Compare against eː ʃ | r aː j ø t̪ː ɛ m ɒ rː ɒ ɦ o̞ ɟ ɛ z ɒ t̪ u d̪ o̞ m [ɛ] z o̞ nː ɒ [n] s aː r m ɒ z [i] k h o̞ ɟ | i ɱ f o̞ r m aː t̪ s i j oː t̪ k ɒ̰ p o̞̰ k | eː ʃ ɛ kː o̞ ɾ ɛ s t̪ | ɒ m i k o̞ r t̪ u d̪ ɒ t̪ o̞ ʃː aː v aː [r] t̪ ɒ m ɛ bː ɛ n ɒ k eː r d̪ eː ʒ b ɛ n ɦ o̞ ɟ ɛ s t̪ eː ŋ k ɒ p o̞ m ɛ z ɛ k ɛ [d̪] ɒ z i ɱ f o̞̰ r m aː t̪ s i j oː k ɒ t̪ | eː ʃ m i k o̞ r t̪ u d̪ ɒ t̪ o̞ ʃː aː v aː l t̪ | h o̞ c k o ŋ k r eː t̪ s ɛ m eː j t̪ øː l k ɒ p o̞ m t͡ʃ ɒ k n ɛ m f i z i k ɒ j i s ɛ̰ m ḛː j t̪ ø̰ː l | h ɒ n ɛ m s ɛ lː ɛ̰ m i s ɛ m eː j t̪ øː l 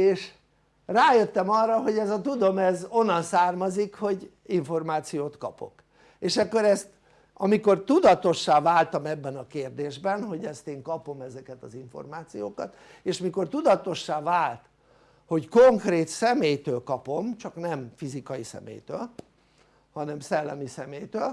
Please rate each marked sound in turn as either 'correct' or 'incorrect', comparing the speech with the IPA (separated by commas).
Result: correct, correct, correct, incorrect, incorrect